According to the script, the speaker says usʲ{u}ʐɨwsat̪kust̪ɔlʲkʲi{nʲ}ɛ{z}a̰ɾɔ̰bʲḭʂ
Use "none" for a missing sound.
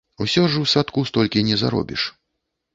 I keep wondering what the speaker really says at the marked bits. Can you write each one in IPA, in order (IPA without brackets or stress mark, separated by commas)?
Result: ɔ, nʲ, z